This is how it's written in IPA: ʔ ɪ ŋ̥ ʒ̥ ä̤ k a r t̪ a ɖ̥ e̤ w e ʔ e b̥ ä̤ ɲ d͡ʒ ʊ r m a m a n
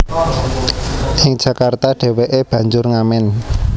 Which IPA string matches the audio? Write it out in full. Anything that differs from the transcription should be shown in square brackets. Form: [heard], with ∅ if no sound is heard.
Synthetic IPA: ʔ ɪ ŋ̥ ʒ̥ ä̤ k a r t̪ a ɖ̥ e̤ w e ʔ e b̥ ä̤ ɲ d͡ʒ ʊ r [ŋ] a m [ɛ] n